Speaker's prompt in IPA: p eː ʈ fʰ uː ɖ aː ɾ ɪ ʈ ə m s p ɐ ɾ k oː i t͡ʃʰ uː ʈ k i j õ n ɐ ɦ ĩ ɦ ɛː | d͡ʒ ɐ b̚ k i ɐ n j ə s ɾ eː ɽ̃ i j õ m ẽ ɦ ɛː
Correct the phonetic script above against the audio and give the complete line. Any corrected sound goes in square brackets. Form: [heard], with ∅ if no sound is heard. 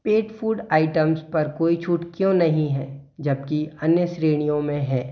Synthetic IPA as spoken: p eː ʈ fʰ uː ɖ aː [∅] ɪ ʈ ə m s p ɐ ɾ k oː i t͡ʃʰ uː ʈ k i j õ n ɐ ɦ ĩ ɦ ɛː | d͡ʒ ɐ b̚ k i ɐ n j ə s ɾ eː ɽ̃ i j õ m ẽ ɦ ɛː